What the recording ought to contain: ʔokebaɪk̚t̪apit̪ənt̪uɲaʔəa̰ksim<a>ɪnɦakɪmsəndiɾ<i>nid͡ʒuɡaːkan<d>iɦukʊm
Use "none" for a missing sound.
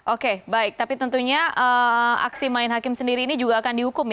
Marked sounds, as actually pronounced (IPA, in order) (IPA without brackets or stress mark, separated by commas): a, iː, d